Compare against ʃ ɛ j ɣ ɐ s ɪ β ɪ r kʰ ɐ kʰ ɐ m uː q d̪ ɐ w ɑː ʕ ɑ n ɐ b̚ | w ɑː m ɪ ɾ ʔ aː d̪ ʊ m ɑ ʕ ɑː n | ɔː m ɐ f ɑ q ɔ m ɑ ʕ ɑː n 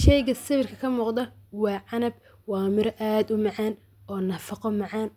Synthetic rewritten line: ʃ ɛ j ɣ ɐ s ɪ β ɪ r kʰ ɐ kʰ ɐ m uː q d̪ ɐ w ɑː ʕ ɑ n ɐ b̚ | w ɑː m ɪ ɾ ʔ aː d̪ ʊ m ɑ ʕ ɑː n | ɔː n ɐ f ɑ q ɔ m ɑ ʕ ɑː n